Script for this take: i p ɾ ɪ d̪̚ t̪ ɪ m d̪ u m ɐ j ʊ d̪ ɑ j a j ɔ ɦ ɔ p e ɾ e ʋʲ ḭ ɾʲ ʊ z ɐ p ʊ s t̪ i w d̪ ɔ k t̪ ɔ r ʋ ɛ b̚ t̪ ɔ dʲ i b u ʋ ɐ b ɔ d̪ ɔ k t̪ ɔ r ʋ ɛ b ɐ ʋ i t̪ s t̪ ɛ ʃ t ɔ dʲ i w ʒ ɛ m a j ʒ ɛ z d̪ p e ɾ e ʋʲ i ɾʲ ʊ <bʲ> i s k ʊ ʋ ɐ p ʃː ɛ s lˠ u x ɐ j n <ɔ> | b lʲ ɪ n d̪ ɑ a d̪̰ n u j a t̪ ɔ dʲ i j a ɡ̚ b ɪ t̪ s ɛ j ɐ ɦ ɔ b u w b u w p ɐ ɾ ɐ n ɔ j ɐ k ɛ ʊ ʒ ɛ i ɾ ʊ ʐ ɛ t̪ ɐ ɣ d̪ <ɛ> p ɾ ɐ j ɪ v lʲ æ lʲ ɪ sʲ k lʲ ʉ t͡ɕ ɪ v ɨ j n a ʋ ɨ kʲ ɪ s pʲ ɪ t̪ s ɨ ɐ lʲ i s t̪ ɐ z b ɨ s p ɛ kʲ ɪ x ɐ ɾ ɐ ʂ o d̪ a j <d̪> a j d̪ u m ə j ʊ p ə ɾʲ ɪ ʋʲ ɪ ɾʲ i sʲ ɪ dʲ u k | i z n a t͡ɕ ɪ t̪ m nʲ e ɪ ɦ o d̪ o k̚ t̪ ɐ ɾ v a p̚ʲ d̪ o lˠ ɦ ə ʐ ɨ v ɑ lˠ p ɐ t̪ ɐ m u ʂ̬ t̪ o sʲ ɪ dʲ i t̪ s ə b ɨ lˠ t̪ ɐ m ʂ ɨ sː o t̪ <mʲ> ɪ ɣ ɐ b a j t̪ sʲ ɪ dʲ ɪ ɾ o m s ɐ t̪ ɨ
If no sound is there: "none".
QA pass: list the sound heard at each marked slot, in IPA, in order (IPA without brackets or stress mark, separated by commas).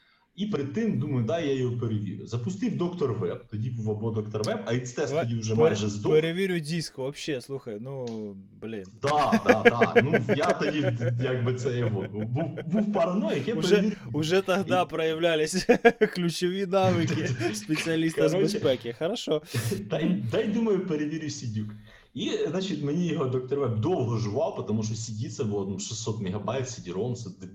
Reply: dʲ, u, a, d̪, mʲ